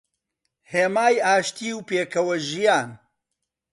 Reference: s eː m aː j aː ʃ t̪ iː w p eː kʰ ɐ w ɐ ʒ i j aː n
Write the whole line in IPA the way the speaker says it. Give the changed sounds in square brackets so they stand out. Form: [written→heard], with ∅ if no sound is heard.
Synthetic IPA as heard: [s→h] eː m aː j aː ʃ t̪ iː w p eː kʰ ɐ w ɐ ʒ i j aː n